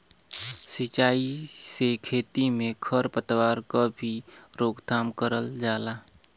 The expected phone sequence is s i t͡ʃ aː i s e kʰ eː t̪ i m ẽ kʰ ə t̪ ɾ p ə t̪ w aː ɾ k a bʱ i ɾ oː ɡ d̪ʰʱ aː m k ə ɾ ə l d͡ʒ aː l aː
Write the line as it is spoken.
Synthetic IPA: s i t͡ʃ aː i s e kʰ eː t̪ i m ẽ kʰ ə ɾ p ə t̪ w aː ɾ k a bʱ i ɾ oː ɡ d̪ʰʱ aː m k ə ɾ ə l d͡ʒ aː l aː